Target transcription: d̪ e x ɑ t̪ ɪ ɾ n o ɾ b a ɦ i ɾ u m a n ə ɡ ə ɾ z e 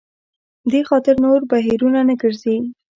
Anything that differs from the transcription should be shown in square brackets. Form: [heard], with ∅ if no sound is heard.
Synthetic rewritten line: d̪ e x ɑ t̪ ɪ ɾ n o ɾ b a ɦ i ɾ u [n] a n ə ɡ ə ɾ z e